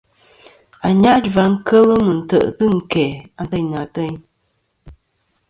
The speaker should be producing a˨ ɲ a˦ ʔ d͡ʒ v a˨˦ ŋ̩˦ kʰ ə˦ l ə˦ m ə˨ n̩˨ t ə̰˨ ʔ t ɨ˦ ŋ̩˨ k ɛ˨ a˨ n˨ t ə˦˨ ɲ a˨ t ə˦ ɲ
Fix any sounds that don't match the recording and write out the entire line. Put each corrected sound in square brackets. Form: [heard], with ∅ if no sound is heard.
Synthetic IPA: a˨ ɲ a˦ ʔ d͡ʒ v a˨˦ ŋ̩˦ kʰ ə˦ l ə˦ m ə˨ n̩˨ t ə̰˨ ʔ t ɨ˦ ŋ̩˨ k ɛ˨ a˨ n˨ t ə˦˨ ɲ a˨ t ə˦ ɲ